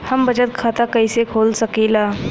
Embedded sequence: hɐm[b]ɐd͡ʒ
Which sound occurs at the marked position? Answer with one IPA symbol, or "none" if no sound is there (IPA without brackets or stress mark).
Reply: b